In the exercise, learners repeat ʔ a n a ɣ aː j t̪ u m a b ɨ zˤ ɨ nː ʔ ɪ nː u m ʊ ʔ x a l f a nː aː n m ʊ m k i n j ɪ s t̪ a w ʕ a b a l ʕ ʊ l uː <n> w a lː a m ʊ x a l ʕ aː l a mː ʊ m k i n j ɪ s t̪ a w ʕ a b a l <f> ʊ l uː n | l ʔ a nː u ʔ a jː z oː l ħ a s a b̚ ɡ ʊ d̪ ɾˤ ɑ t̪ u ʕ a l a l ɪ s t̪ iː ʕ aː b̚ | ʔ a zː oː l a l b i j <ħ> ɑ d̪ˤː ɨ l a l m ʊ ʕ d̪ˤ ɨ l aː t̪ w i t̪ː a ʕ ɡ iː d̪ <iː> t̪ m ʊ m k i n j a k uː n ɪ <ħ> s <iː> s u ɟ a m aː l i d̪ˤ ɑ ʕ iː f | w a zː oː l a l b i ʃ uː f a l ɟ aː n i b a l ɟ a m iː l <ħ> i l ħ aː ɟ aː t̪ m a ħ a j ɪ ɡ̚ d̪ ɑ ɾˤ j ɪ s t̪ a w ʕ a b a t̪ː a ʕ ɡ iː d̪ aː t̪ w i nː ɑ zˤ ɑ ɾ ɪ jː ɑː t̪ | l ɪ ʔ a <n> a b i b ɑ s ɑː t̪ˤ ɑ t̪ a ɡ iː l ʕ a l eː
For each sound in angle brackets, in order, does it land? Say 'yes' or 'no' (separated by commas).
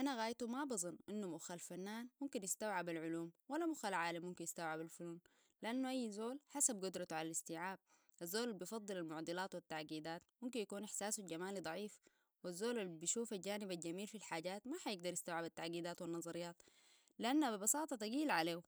no, yes, no, no, yes, no, no, no